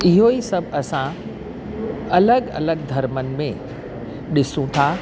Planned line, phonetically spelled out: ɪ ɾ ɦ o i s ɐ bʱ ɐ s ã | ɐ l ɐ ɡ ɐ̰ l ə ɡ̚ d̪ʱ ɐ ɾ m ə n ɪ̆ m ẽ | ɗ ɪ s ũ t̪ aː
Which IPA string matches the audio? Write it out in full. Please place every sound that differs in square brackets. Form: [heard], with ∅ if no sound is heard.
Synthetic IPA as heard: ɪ [∅] ɦ o i s ɐ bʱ ɐ s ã | ɐ l [ə] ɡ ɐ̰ l ə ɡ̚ d̪ʱ ɐ ɾ m ə n ɪ̆ m ẽ | ɗ ɪ s ũ [t̪ʰ] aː